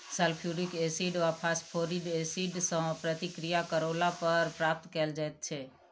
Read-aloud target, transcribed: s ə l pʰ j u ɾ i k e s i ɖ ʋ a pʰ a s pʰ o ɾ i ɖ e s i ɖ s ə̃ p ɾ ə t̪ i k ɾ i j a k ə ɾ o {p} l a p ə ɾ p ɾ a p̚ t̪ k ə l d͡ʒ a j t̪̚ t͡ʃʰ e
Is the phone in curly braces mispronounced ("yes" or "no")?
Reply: yes